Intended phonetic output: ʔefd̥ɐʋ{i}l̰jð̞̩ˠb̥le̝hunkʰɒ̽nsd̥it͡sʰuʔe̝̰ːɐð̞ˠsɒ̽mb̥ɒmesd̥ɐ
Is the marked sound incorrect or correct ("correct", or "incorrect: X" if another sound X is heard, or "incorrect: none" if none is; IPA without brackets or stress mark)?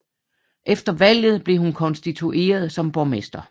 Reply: incorrect: æ